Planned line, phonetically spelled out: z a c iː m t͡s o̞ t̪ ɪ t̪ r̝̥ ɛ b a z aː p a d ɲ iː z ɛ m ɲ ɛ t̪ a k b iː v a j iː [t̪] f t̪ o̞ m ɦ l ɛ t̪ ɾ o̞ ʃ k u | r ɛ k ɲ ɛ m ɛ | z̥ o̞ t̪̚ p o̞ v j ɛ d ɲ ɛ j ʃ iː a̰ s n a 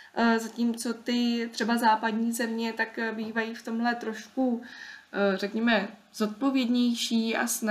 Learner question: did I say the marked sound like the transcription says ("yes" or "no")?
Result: no